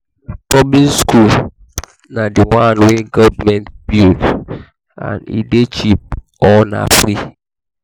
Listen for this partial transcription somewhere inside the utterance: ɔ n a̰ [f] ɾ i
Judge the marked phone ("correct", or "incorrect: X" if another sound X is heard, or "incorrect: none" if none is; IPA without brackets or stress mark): correct